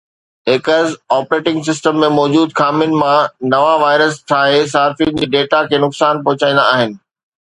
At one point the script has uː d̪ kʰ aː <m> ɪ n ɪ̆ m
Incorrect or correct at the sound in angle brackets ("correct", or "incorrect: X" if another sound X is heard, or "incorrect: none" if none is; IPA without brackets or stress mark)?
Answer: correct